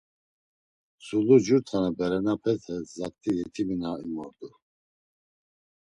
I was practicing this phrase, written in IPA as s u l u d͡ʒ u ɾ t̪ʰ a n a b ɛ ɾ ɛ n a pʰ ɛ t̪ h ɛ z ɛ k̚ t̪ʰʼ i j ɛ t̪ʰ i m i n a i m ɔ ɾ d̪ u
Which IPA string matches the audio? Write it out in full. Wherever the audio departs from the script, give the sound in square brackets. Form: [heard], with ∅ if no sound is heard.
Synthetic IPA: s u l u d͡ʒ u ɾ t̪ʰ a n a b ɛ ɾ ɛ n a pʰ ɛ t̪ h ɛ z [a] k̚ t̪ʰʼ i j ɛ t̪ʰ i m i n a i m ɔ ɾ d̪ u